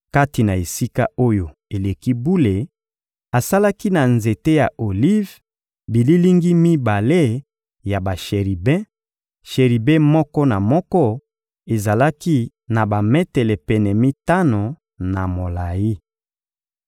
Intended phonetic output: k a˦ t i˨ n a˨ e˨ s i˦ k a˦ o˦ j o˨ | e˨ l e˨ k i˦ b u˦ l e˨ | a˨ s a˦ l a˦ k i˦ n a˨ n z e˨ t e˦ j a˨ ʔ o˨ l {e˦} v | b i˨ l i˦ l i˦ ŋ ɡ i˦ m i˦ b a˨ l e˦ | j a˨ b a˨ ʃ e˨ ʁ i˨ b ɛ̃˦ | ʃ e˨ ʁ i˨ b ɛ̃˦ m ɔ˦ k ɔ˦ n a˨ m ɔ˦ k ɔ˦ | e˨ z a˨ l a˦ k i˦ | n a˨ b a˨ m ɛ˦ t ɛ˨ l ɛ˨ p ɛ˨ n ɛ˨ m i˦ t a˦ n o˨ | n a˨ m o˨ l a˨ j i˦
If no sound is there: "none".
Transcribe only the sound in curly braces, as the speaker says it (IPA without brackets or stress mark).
i˦